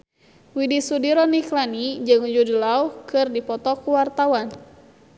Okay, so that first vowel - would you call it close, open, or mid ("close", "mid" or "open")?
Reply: close